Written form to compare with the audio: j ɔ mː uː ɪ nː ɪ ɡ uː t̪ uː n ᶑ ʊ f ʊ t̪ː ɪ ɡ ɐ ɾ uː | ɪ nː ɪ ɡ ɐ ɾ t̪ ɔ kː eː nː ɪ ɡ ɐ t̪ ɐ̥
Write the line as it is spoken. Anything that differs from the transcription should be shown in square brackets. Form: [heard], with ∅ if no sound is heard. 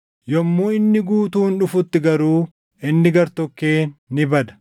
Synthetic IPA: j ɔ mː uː ɪ nː ɪ ɡ uː t̪ uː n ᶑ ʊ f ʊ t̪ː ɪ ɡ ɐ ɾ uː | ɪ nː ɪ ɡ ɐ ɾ t̪ ɔ kː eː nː ɪ [b] ɐ [d̪] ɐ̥